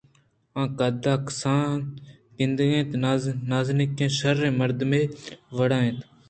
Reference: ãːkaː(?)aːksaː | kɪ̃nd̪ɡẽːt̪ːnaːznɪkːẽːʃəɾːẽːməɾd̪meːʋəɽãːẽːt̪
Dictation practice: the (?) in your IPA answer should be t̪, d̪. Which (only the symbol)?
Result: d̪